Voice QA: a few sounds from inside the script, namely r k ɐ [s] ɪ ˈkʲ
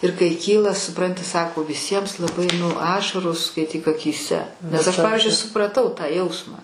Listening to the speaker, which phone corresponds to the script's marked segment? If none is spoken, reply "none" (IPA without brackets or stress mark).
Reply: none